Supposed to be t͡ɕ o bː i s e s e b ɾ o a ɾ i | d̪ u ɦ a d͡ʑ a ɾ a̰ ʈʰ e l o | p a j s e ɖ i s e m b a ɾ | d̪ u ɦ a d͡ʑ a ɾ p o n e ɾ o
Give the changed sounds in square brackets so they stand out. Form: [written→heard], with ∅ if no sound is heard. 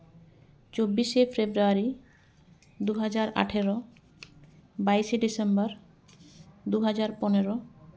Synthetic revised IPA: t͡ɕ o bː i [s→ʃ] e [s→f] e b ɾ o a ɾ i | d̪ u ɦ a d͡ʑ a ɾ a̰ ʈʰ e [l→ɾ] o | [p→b] a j [s→ʃ] e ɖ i s e m b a ɾ | d̪ u ɦ a d͡ʑ a ɾ p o n e ɾ o